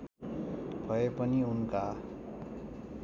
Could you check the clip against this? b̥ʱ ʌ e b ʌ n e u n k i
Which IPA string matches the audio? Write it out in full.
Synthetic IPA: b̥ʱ ʌ e p ʌ n i u n k a